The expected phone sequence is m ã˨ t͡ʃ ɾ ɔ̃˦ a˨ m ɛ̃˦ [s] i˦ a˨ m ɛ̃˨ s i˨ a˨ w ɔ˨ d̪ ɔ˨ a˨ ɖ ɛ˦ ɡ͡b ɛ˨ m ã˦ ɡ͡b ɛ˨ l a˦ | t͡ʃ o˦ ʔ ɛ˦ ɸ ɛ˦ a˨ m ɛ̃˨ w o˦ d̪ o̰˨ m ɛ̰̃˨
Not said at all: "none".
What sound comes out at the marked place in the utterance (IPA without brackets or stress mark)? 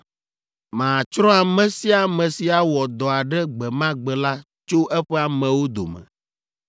s